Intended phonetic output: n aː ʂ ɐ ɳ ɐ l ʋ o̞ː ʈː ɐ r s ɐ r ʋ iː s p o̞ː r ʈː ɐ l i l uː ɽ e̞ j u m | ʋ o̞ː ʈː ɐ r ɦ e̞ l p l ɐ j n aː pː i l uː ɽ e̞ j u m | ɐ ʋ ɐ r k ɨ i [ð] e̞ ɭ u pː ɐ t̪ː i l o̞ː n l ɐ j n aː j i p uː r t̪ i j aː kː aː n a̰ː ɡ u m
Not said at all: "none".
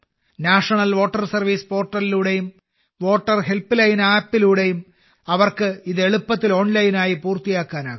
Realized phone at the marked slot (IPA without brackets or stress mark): ð